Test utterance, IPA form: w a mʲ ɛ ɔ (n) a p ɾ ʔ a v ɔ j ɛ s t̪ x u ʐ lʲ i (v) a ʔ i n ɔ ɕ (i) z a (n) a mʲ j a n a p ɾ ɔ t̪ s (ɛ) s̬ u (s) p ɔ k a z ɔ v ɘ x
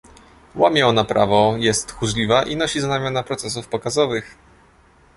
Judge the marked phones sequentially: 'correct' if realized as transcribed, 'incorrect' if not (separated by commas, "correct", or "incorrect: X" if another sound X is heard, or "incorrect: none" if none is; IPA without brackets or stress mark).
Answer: correct, correct, correct, correct, correct, incorrect: f